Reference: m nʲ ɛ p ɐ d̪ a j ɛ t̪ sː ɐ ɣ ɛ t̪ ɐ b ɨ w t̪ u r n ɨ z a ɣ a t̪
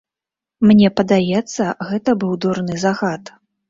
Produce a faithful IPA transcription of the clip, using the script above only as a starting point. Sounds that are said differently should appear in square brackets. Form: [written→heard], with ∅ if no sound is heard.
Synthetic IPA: m nʲ ɛ p ɐ d̪ a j ɛ t̪ sː ɐ ɣ ɛ t̪ ɐ b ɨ w [t̪→d̪] u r n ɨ z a ɣ a t̪

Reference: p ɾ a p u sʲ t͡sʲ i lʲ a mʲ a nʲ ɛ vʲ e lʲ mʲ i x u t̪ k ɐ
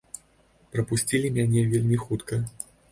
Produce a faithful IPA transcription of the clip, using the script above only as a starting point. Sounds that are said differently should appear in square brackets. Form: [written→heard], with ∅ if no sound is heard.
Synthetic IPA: p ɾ [a→ɐ] p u sʲ t͡sʲ i lʲ [a→i] mʲ a nʲ ɛ vʲ e lʲ mʲ i x u t̪ k ɐ

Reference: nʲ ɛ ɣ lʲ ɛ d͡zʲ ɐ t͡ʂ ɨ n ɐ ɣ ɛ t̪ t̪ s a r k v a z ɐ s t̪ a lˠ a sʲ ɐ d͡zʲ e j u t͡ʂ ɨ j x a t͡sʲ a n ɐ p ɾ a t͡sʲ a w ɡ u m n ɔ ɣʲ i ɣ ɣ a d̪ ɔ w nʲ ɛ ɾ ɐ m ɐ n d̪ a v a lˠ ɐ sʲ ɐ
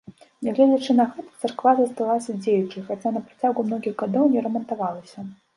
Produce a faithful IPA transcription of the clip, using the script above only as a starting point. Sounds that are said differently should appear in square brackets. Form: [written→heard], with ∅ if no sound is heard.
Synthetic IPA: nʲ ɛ ɣ lʲ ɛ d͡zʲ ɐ t͡ʂ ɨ n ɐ ɣ ɛ t̪ t̪ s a r k v a z ɐ s t̪ a lˠ a sʲ ɐ d͡zʲ e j u t͡ʂ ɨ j x a t͡sʲ a n ɐ p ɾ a t͡sʲ a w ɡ u m n ɔ ɣʲ i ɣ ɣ a d̪ ɔ w nʲ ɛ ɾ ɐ m ɐ n [d̪→t̪] a v a lˠ ɐ sʲ ɐ

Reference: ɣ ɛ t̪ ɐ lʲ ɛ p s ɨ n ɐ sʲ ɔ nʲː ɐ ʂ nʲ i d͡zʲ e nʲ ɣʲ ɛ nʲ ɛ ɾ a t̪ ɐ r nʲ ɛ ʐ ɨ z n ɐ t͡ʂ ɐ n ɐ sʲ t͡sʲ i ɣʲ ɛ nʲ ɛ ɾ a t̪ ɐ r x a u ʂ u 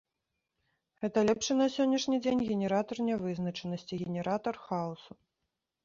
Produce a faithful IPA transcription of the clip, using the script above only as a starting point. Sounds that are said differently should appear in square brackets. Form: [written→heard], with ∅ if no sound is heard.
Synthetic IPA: ɣ ɛ t̪ ɐ lʲ ɛ p [s→ʂ] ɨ n ɐ sʲ ɔ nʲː ɐ ʂ nʲ i d͡zʲ e nʲ ɣʲ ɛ nʲ ɛ ɾ a t̪ ɐ r nʲ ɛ [ʐ→v] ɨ z n ɐ t͡ʂ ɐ n ɐ sʲ t͡sʲ i ɣʲ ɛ nʲ ɛ ɾ a t̪ ɐ r x a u [ʂ→s] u

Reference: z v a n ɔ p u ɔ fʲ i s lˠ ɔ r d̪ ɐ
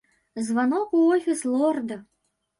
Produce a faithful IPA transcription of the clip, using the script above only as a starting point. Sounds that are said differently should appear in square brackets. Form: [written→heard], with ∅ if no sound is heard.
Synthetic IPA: z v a n ɔ [p→k] u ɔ fʲ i s lˠ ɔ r d̪ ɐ

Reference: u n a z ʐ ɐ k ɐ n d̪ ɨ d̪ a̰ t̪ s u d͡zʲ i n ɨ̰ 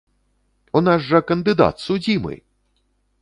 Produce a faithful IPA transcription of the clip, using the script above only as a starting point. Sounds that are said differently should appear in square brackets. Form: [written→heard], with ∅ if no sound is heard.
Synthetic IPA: u n a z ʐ ɐ k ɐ n d̪ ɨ d̪ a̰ t̪ s u d͡zʲ i [n→m] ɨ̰

